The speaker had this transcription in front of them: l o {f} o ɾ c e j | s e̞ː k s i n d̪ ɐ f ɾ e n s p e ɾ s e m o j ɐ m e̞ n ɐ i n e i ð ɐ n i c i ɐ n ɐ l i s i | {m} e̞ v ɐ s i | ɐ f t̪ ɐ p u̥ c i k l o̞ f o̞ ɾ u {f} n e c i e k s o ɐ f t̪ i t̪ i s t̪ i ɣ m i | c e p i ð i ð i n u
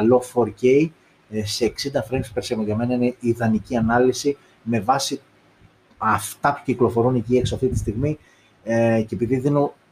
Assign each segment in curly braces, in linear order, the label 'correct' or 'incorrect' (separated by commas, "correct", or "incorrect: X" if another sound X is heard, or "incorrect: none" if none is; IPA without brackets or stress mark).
correct, correct, incorrect: none